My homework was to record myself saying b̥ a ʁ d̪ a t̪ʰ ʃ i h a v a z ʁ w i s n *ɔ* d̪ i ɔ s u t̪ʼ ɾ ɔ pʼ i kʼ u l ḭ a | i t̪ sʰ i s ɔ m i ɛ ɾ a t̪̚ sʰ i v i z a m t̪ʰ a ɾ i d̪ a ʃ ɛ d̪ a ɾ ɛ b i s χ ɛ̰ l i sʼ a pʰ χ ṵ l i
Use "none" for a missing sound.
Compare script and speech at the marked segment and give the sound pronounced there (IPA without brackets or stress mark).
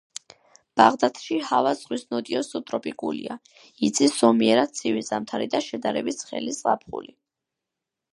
ɔ